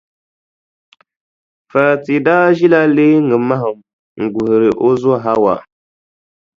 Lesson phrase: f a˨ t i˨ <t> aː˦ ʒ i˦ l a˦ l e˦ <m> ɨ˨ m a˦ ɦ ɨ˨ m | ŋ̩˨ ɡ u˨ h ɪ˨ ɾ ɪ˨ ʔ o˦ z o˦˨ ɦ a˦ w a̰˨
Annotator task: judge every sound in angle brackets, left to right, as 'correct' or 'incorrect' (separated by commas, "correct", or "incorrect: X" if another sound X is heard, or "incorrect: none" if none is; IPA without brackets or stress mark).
incorrect: d, incorrect: ŋ